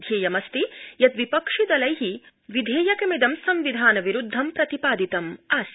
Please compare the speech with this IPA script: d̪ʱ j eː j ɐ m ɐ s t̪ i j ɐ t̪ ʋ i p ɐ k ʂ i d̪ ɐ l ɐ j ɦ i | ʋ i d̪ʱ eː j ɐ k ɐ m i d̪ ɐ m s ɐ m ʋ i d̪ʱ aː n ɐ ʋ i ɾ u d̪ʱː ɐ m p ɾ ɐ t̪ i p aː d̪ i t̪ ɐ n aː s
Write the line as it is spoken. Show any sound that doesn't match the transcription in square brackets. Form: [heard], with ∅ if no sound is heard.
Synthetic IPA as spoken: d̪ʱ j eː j ɐ m ɐ s t̪ i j ɐ t̪ ʋ i p ɐ k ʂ i d̪ ɐ l ɐ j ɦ i | ʋ i d̪ʱ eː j ɐ k ɐ m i d̪ ɐ m s ɐ m ʋ i d̪ʱ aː n ɐ ʋ i ɾ u d̪ʱː ɐ m p ɾ ɐ t̪ i p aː d̪ i t̪ ɐ [m] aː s